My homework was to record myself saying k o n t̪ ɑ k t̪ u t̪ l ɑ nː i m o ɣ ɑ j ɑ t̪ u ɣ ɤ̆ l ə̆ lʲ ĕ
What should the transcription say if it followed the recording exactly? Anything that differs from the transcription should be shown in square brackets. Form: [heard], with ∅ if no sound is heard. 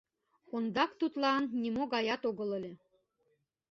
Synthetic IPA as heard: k o n [d̪] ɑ k t̪ u t̪ l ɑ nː i m o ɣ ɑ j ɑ t̪ [o] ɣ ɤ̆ l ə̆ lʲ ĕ